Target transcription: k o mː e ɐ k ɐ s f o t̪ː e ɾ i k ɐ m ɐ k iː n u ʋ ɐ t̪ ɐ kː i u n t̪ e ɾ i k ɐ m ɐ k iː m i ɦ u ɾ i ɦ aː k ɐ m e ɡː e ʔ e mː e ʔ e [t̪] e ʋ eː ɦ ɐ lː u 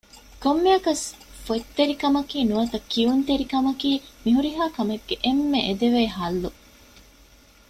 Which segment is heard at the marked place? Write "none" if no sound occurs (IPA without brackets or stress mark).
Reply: d̪